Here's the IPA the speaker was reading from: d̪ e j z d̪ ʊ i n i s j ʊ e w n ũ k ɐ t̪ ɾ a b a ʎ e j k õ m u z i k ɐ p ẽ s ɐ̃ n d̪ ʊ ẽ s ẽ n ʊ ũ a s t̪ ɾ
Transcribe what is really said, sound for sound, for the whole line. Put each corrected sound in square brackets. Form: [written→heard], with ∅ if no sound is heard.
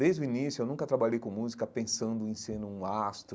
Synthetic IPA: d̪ e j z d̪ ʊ i n i s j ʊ e w n ũ k ɐ t̪ ɾ a b a ʎ e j k õ m u z i k ɐ p ẽ s ɐ̃ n d̪ ʊ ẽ s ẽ n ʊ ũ a s t̪ ɾ